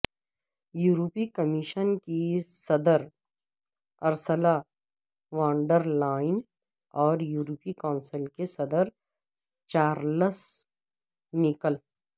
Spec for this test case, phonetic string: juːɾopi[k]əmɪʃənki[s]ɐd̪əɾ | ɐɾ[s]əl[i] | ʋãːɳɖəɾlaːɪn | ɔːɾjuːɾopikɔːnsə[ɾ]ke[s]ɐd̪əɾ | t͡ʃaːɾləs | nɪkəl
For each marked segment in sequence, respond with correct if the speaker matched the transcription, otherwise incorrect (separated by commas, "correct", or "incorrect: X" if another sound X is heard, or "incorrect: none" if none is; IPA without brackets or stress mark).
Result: correct, correct, correct, incorrect: a, incorrect: l, correct